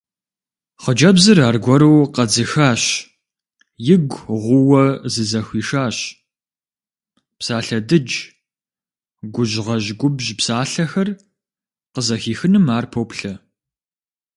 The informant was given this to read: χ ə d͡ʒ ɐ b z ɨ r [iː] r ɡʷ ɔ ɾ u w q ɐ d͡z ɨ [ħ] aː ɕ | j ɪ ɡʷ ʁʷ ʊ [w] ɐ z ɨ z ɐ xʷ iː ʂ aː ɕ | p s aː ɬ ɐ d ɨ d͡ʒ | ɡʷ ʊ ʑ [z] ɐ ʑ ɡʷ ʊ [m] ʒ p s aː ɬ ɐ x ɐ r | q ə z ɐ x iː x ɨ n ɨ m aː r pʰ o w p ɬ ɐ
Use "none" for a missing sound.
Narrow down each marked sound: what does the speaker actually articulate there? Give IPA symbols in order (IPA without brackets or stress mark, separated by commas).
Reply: aː, x, w, ʁ, b